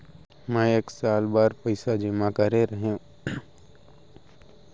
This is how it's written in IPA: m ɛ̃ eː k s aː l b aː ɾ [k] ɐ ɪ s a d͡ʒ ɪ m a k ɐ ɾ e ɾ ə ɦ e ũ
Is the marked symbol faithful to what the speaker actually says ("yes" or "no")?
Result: no